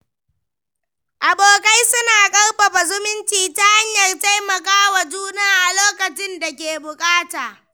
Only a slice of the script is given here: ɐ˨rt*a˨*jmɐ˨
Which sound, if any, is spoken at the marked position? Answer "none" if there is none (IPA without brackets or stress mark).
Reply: a˦